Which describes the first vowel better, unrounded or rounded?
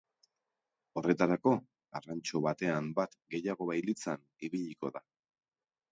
rounded